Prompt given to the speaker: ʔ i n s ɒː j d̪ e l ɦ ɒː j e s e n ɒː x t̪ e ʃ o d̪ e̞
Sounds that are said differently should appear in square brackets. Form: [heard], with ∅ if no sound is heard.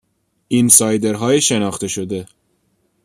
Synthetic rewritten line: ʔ i n s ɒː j d̪ e [ɾ] ɦ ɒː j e [ʃ] e n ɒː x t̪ e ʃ o d̪ e̞